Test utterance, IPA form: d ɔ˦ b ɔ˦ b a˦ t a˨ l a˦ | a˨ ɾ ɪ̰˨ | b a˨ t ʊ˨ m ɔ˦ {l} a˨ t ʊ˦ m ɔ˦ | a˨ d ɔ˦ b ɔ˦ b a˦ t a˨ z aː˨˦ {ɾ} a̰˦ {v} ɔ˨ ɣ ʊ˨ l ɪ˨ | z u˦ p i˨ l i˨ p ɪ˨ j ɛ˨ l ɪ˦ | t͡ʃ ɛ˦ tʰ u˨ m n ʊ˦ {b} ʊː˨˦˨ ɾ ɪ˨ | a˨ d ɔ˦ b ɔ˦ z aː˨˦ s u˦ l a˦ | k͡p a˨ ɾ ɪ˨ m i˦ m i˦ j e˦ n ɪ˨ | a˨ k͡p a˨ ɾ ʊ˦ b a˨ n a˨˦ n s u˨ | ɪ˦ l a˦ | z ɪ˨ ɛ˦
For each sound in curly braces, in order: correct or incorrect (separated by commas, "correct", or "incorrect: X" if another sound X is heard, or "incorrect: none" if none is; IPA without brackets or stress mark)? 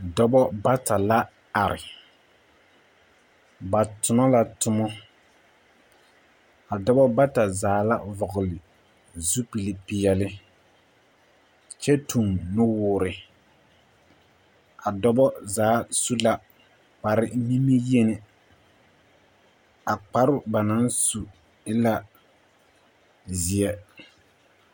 correct, incorrect: l, correct, incorrect: w